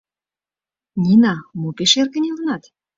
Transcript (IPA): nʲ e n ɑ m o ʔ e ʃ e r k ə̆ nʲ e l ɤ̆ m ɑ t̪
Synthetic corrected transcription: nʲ i n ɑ m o p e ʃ e r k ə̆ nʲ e l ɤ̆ n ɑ t̪